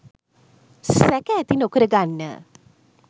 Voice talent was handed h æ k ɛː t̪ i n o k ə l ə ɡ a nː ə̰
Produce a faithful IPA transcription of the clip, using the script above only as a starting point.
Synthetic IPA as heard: s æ k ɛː t̪ i n o k ə ɾ ə ɡ a nː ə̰